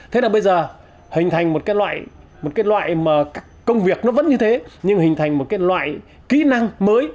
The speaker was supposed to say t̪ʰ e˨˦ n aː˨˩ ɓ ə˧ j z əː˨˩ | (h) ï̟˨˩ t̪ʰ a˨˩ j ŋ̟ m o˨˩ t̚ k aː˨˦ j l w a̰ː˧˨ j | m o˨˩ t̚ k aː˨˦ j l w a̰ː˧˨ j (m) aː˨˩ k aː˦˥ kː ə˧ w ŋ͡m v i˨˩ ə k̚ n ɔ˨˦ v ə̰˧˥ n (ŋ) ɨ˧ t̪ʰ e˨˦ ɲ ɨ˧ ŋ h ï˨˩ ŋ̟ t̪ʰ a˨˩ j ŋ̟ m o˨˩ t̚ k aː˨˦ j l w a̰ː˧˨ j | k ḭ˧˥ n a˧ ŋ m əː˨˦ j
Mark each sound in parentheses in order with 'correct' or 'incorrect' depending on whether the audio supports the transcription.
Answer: correct, correct, incorrect: ɲ

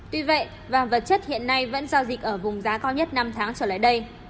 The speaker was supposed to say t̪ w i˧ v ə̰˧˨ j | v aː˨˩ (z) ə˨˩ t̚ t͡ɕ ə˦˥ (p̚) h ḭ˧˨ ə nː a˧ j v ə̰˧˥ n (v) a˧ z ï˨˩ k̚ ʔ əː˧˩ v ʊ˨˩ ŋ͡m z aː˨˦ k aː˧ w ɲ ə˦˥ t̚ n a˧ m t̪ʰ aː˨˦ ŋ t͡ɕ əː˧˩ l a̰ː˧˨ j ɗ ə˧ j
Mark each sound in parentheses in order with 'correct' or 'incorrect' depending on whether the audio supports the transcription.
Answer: incorrect: v, incorrect: t̚, incorrect: z

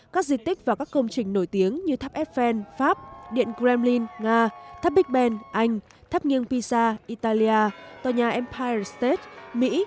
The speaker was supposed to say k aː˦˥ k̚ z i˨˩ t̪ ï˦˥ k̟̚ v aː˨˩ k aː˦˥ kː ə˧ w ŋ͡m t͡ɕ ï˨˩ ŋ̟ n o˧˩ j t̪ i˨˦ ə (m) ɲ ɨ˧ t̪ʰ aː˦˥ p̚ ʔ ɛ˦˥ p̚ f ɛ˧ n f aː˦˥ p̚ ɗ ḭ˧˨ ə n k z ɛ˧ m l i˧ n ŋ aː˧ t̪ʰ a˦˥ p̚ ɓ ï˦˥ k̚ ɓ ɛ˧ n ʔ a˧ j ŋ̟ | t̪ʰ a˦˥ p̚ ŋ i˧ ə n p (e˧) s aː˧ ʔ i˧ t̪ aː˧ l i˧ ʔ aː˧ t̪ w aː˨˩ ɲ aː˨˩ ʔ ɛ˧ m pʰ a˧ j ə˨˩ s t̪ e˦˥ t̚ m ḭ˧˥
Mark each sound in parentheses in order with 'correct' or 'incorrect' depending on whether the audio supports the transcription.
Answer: incorrect: ŋ, incorrect: i˧

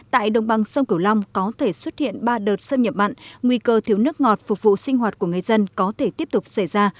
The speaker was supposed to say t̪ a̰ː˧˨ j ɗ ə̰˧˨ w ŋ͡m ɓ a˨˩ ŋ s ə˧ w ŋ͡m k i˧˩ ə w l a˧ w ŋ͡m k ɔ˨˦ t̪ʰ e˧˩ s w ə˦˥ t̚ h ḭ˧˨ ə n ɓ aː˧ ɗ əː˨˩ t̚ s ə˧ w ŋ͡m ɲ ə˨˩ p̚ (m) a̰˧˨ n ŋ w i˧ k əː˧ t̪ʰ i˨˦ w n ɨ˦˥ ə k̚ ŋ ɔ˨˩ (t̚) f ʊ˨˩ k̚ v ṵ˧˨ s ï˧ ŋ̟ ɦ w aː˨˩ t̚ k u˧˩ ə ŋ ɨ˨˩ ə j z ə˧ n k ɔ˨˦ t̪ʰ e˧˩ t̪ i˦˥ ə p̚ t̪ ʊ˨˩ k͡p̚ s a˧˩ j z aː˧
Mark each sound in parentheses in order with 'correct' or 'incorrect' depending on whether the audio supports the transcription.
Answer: correct, correct

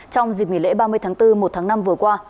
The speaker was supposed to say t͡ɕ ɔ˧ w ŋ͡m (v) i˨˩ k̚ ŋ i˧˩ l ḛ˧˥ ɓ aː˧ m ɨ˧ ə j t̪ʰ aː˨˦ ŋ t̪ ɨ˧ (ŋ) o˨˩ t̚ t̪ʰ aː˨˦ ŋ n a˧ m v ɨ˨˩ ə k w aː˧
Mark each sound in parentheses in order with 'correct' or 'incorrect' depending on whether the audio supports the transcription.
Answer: incorrect: z, incorrect: m

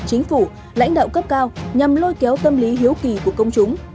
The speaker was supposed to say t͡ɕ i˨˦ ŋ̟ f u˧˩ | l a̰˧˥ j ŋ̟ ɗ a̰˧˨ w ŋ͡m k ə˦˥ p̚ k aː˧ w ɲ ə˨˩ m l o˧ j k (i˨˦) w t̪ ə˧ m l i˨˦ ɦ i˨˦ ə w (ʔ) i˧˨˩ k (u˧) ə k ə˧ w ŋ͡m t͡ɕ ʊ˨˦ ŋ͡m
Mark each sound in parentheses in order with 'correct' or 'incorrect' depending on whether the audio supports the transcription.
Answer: incorrect: ɛ˨˦, incorrect: k, incorrect: u˧˩

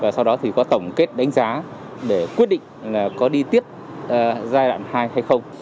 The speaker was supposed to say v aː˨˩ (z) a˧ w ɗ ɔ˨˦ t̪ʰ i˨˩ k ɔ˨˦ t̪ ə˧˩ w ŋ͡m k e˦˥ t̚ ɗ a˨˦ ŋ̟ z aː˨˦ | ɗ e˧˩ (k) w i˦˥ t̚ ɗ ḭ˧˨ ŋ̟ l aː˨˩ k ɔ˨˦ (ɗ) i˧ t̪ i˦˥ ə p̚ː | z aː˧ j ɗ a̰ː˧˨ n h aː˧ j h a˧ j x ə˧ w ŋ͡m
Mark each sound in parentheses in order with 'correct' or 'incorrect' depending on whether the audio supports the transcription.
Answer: incorrect: s, correct, correct

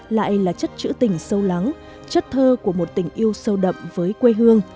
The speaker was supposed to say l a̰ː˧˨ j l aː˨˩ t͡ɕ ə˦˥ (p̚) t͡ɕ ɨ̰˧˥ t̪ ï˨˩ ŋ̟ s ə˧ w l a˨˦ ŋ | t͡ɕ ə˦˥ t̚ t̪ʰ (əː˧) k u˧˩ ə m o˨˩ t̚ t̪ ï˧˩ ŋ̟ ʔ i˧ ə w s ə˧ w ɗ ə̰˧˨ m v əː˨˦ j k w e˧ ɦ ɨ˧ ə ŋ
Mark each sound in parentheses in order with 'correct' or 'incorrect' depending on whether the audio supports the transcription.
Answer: incorrect: t̚, correct

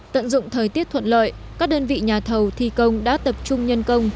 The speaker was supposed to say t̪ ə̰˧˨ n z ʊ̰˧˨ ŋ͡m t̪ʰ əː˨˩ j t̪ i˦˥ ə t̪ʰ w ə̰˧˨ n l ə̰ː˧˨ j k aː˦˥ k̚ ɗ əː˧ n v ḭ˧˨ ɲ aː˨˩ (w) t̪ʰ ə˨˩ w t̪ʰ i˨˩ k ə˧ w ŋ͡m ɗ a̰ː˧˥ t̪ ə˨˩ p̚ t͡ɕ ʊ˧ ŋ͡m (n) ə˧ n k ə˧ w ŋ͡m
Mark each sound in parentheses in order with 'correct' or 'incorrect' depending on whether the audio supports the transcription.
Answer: incorrect: none, incorrect: ɲ

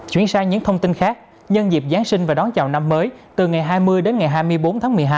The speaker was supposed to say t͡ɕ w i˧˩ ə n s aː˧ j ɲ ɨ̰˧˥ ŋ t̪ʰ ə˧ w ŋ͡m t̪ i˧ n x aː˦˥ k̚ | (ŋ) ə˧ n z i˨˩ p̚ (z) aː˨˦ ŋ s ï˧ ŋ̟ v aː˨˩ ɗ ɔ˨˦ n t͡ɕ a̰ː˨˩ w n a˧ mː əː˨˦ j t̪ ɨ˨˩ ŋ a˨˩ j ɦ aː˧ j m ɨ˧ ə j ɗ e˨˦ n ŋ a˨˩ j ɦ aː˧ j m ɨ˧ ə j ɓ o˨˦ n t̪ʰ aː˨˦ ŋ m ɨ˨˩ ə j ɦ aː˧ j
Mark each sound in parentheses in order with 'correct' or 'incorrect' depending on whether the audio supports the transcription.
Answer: incorrect: ɲ, correct

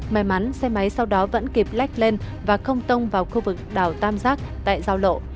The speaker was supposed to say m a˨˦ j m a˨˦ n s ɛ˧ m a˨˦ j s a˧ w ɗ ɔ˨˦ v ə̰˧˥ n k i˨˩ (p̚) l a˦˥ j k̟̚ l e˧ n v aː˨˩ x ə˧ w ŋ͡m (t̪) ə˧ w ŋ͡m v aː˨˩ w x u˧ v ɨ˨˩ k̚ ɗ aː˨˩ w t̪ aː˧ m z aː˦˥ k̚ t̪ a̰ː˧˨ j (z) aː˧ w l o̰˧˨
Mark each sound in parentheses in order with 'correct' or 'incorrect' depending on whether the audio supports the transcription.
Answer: correct, correct, correct

